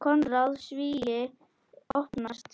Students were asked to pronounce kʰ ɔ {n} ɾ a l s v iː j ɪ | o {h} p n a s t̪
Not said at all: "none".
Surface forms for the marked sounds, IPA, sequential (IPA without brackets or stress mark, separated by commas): n, h